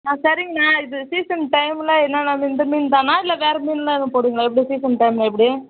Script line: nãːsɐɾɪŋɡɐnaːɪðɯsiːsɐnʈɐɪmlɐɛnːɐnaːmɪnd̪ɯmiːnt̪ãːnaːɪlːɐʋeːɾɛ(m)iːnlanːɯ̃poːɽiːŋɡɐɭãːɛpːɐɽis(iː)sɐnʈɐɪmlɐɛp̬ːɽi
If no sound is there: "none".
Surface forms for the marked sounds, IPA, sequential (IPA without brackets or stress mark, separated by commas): m, iː